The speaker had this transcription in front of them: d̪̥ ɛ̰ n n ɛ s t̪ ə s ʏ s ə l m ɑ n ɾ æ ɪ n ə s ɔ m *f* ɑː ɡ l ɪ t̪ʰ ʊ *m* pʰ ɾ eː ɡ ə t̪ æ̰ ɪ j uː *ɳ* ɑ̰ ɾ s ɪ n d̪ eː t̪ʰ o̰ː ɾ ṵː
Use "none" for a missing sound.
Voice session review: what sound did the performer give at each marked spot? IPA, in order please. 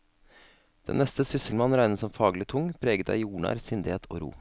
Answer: f, ŋ, ɳ

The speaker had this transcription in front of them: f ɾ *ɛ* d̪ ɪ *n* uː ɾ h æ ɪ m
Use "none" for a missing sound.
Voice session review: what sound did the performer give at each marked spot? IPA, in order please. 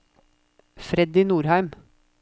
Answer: ɛ, n

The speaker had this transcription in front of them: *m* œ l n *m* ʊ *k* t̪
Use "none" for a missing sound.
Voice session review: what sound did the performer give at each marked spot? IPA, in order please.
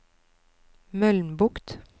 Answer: m, b, k

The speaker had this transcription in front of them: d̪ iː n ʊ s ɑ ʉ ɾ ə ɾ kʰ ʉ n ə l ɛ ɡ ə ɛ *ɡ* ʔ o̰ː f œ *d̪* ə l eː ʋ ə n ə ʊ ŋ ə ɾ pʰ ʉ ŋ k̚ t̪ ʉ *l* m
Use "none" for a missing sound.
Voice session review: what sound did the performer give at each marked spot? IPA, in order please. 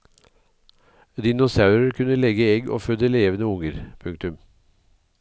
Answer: ɡ, d̪, none

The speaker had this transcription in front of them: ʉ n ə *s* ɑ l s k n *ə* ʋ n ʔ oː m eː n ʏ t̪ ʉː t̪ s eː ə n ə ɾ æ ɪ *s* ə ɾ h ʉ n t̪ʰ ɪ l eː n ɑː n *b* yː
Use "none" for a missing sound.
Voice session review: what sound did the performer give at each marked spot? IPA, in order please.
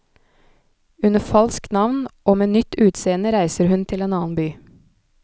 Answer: f, ɑ, s, b

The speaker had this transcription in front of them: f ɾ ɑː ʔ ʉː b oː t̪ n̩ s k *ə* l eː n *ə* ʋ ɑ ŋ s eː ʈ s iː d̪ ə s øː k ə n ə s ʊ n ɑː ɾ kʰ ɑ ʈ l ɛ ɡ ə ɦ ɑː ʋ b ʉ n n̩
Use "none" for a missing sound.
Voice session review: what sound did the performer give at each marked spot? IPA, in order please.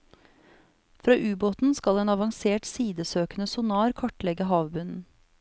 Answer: ɑ, ɑ

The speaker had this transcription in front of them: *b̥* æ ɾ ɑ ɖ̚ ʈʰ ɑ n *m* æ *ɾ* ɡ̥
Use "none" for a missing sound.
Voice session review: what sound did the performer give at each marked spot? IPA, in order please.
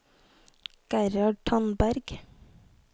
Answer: ɡ̥, b, ɾ

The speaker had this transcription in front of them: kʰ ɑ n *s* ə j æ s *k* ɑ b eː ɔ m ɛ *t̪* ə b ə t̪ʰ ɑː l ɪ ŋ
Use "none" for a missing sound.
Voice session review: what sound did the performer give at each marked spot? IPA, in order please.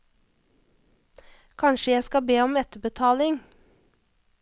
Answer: ʃ, k, t̪

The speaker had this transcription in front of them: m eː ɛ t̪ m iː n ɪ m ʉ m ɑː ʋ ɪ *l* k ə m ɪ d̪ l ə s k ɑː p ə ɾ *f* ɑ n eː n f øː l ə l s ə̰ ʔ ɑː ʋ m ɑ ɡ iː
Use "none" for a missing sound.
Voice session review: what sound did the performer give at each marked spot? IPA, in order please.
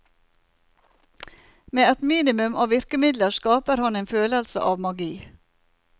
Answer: ɾ, h

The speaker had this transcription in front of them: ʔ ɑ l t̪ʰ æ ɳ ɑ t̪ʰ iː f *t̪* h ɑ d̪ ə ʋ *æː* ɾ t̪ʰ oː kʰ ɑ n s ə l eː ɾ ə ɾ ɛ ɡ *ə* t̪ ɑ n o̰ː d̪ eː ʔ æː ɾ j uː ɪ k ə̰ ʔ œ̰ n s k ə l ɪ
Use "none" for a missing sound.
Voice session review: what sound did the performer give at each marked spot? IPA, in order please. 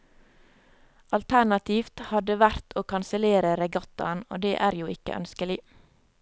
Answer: t̪, æ, ɑ

